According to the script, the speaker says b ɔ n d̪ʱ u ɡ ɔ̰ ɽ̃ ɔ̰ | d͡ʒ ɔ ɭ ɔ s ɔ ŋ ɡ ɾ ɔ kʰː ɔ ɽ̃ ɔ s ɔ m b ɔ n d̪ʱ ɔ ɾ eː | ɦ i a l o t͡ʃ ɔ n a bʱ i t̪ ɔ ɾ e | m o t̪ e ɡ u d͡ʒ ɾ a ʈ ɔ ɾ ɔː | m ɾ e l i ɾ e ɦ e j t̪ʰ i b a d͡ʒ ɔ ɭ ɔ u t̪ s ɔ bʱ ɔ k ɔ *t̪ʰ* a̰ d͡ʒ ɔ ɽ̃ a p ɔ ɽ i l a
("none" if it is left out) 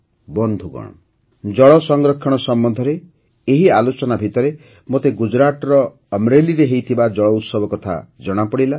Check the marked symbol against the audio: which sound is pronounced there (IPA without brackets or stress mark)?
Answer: t̪ʰ